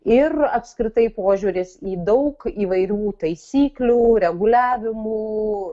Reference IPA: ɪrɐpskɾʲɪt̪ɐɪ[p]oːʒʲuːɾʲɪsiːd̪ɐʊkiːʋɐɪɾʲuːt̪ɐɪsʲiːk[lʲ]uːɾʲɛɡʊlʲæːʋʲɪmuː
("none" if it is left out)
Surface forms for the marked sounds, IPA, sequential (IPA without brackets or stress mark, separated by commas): p, lʲ